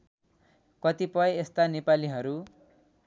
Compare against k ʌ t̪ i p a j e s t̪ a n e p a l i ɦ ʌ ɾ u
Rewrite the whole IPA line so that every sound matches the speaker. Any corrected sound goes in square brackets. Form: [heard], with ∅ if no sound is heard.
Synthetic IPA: k ʌ t̪ i p [ʌ] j e s t̪ a n e p a l i ɦ ʌ ɾ u